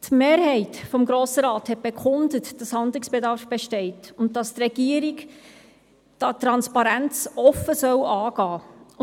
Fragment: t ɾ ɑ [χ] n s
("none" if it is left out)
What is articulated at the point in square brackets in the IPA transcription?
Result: none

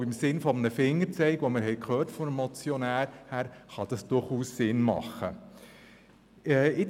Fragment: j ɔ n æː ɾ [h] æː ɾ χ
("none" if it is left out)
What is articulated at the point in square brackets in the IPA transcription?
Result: h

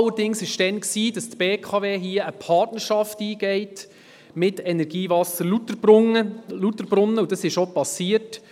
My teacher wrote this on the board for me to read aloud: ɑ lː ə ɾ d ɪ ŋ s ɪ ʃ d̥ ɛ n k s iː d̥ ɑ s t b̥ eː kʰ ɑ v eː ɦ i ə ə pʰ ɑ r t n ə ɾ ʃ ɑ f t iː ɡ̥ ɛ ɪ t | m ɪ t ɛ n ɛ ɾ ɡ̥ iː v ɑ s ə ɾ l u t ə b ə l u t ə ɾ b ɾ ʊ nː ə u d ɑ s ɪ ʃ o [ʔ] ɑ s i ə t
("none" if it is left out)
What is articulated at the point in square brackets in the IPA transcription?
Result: p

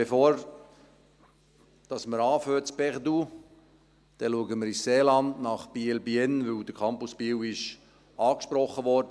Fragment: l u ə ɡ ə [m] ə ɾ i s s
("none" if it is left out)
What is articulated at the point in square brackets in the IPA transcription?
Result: m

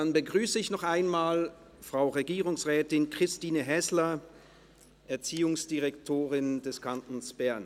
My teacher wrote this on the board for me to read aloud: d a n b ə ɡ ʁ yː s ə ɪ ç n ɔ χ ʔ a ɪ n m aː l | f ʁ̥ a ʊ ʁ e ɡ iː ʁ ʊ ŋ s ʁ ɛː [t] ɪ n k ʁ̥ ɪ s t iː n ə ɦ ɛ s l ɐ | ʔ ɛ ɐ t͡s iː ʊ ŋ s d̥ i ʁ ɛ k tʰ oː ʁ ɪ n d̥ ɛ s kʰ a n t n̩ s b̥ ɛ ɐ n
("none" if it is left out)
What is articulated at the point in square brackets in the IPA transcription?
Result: t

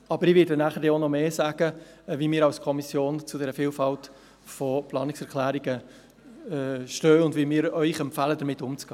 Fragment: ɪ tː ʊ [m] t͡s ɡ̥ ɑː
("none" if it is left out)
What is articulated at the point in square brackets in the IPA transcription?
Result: m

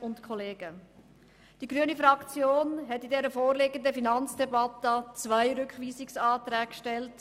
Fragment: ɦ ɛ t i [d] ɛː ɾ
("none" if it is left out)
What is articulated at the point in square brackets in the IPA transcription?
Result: d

